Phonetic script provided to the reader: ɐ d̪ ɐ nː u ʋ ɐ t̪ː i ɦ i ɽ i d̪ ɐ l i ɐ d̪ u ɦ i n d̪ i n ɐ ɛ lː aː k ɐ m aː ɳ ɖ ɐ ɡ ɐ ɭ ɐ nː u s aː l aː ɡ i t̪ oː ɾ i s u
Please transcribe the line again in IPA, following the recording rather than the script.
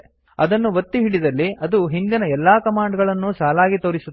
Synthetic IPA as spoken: ɐ d̪ ɐ nː u ʋ ɐ t̪ː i ɦ i ɽ i d̪ ɐ lː i ɐ d̪ u ɦ i n d̪ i n ɐ ɛ lː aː k ɐ m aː ɳ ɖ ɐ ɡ ɐ ɭ ɐ nː u s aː l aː ɡ i t̪ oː ɾ i s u